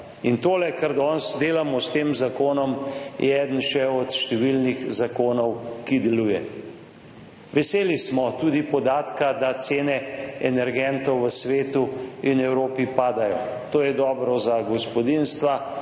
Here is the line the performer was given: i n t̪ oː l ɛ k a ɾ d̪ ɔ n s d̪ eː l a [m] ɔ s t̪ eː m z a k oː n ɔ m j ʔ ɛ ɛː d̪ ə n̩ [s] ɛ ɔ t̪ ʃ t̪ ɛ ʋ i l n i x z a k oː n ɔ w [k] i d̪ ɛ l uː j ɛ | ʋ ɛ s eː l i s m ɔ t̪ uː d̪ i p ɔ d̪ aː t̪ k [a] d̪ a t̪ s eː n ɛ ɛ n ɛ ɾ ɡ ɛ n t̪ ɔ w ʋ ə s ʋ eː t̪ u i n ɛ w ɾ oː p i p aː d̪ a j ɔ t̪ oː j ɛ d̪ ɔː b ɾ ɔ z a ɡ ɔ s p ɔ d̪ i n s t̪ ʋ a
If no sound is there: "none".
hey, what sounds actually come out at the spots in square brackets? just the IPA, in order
m, ʃ, k, a

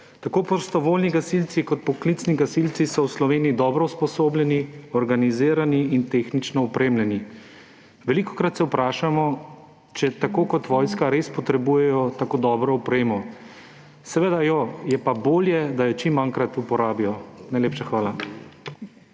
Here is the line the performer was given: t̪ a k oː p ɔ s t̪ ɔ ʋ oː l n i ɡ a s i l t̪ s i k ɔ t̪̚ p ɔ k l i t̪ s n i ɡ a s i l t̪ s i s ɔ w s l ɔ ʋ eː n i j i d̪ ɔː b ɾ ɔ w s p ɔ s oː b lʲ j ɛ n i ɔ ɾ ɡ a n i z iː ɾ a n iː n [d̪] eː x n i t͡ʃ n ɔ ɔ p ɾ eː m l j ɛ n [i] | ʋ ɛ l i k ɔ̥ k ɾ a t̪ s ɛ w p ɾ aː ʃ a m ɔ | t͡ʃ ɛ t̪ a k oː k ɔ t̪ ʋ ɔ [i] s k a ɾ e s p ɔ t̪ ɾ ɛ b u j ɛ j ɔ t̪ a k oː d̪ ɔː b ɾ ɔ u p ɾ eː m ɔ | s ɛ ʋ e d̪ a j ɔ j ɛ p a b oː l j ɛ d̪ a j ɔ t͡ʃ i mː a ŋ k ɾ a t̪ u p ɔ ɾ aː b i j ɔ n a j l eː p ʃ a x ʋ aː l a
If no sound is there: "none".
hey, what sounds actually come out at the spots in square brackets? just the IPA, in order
t̪, i, j

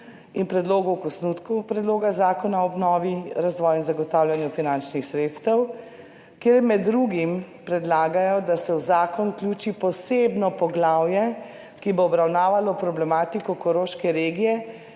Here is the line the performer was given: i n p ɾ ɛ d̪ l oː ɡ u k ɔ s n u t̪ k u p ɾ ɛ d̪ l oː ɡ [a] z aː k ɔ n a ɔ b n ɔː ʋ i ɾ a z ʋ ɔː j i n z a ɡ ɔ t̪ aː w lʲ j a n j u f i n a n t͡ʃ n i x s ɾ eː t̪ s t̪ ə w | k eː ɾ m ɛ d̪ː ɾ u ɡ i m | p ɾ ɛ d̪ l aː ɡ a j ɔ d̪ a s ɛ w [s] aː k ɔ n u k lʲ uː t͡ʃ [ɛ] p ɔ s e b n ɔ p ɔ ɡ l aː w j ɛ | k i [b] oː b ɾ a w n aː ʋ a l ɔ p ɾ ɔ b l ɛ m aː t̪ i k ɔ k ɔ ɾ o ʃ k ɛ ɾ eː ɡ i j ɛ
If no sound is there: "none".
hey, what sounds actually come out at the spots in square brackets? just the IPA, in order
a, z, i, b

